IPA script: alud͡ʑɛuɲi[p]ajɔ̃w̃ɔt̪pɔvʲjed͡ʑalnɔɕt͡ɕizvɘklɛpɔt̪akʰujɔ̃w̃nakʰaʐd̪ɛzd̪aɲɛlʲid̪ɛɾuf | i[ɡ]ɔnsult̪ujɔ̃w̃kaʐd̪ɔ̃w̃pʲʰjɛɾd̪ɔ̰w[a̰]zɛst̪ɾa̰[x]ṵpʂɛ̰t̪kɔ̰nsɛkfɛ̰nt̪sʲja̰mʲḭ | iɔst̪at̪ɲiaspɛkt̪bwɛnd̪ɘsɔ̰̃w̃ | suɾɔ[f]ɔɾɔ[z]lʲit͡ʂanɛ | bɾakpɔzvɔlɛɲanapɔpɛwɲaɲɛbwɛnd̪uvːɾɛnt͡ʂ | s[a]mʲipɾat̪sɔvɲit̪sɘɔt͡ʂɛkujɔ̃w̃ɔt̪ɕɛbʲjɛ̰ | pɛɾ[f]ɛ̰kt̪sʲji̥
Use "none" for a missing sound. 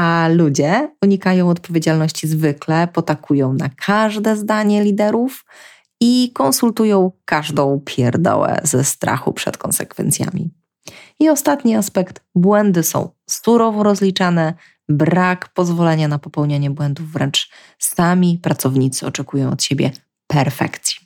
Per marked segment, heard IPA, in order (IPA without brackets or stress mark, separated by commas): k, k, ɛ̰, x, v, z, a, f